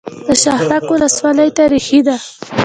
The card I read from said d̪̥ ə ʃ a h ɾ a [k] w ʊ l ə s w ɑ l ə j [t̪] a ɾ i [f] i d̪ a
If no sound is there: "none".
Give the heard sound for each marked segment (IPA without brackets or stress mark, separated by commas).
k, t̪, x